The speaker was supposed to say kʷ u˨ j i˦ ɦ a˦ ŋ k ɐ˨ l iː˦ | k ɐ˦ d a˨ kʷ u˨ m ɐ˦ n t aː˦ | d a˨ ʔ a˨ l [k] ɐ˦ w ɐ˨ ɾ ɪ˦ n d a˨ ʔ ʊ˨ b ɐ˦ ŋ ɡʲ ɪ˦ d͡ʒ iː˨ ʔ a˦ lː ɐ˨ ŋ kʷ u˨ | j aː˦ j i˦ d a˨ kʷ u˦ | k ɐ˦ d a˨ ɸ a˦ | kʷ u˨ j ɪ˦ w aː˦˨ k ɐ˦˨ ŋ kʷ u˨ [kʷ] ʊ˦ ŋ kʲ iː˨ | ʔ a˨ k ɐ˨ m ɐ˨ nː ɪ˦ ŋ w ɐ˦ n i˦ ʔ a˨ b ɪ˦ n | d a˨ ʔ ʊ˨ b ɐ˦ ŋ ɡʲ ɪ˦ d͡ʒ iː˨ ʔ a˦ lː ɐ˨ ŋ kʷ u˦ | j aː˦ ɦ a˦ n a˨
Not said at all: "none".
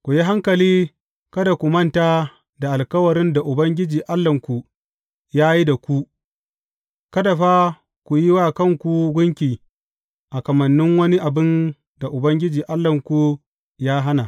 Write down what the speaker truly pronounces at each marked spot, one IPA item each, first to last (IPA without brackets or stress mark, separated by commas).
k, ɡʷ